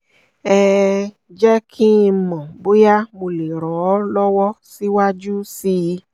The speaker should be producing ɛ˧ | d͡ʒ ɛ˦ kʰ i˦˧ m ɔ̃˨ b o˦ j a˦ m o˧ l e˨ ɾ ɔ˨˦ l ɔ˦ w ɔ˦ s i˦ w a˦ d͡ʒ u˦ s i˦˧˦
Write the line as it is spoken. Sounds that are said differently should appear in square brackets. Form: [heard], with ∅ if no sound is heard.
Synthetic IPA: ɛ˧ | d͡ʒ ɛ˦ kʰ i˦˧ m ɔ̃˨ b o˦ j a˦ m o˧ l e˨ ɾ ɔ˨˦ l ɔ˦ w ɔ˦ s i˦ w a˦ d͡ʒ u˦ s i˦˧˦